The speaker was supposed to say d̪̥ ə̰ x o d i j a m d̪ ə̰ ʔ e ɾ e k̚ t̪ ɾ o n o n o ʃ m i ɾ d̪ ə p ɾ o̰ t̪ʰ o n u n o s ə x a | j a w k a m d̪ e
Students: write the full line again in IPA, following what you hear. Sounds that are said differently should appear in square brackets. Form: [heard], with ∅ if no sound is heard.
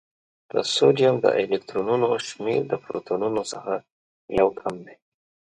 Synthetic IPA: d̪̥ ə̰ [s] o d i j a m d̪ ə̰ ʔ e [l] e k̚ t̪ ɾ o n [u] n o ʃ m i ɾ d̪ ə p ɾ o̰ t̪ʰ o n u n o s ə x a | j a w [kʰ] a m d̪ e